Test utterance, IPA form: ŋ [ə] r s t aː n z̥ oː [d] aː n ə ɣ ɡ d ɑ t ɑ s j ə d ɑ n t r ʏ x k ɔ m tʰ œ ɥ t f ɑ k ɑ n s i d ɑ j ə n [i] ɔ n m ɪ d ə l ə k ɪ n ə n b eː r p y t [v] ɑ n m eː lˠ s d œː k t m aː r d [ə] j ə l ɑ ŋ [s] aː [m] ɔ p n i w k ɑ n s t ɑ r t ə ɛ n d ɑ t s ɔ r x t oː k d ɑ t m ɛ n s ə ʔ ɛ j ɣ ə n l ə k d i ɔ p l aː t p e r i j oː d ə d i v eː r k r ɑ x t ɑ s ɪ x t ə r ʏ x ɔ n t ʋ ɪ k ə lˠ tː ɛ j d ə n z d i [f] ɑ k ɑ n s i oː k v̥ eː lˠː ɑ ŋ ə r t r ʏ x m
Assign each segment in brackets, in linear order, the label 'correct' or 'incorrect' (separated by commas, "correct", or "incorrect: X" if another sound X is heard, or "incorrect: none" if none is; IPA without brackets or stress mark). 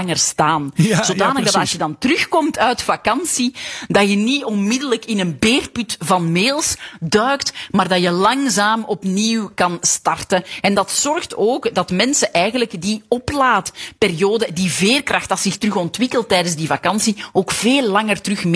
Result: correct, correct, correct, correct, incorrect: ɑ, incorrect: z, correct, incorrect: v